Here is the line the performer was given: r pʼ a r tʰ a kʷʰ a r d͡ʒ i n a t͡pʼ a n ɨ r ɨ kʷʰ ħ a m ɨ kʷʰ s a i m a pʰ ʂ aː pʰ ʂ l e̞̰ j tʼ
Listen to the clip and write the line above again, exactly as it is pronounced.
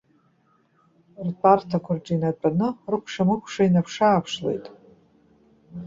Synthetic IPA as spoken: r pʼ a r tʰ a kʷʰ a r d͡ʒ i n a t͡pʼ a n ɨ r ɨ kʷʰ ʂ a m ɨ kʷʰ ʂ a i n a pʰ ʂ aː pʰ ʂ l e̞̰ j tʼ